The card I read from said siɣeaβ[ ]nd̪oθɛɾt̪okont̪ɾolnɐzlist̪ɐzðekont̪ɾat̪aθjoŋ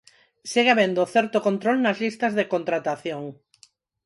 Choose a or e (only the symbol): e